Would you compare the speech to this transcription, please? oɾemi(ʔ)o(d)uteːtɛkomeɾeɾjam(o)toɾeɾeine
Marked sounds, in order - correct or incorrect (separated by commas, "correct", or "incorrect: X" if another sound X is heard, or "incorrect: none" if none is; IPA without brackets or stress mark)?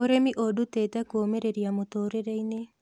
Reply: correct, correct, correct